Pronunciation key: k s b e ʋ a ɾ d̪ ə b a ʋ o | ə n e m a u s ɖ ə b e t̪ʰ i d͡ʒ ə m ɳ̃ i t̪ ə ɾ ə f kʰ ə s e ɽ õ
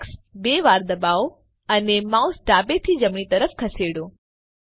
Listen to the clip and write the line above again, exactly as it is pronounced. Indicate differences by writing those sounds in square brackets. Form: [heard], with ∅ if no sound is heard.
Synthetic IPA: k s b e ʋ a ɾ d̪ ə b a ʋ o | ə n e m a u s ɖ [a] b e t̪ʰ i d͡ʒ ə m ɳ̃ i t̪ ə ɾ ə f kʰ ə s e ɽ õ